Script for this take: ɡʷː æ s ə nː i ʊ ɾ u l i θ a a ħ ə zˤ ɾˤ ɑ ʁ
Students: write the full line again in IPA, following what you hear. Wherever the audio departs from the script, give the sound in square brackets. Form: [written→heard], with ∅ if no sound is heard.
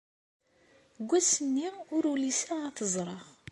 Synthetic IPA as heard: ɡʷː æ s ə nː i ʊ ɾ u l i [θ→s] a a [ħ→θ] ə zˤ ɾˤ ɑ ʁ